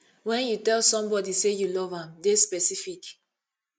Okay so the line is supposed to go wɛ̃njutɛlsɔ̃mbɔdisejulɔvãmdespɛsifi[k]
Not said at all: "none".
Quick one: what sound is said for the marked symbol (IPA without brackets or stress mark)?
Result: k